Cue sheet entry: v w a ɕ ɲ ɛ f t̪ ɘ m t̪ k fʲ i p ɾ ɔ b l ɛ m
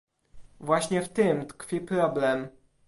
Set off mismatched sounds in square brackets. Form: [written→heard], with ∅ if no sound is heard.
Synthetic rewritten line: v w a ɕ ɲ ɛ f t̪ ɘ m t̪ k fʲ i p ɾ ɔ b l ɛ m